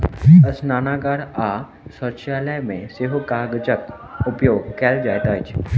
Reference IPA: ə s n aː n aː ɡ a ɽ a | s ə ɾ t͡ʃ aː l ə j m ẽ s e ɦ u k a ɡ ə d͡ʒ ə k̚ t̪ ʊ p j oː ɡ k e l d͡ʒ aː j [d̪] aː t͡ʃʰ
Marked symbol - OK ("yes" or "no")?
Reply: no